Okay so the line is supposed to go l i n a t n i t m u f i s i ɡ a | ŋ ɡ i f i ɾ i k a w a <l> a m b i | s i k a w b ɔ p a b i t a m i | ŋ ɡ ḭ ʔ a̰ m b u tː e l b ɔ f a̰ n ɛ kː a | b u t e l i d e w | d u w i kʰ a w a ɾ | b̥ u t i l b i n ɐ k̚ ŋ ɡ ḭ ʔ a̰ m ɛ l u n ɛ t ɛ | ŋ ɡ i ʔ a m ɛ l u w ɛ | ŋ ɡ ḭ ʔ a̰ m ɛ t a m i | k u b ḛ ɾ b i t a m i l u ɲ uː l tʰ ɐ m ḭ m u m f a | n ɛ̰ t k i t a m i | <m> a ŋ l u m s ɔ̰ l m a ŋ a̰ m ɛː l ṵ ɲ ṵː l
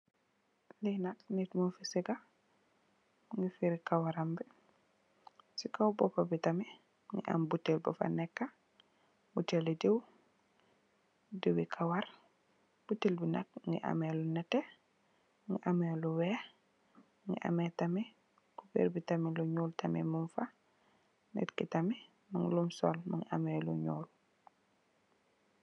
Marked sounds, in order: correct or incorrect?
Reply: incorrect, correct

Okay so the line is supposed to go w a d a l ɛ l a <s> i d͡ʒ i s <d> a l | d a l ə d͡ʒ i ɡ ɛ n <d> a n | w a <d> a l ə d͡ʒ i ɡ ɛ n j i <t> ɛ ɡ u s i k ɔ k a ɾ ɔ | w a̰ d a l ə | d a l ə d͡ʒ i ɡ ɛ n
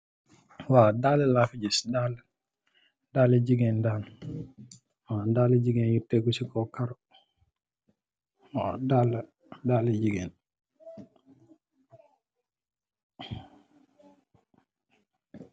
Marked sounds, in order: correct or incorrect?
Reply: incorrect, correct, correct, correct, correct

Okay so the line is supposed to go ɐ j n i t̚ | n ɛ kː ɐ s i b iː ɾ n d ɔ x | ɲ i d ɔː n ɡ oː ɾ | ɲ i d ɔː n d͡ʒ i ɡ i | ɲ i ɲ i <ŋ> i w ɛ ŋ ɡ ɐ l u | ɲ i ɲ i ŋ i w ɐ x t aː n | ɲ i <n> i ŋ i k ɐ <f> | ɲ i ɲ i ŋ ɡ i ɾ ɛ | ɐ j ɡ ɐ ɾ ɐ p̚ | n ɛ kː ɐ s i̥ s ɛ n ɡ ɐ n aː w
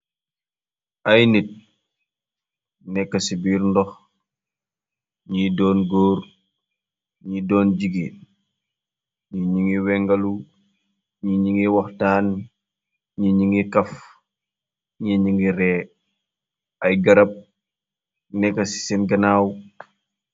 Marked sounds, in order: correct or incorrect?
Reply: correct, incorrect, correct

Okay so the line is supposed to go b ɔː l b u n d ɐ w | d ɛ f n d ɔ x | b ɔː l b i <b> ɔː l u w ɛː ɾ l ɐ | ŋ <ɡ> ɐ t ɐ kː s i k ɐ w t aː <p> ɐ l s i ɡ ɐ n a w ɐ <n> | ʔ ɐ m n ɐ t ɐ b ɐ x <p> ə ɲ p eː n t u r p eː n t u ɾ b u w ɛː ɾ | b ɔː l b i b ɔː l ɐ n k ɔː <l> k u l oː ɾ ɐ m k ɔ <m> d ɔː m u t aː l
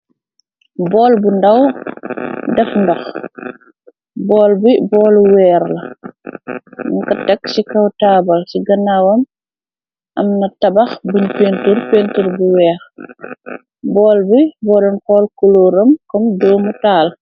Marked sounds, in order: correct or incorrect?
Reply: correct, incorrect, incorrect, incorrect, incorrect, correct, correct

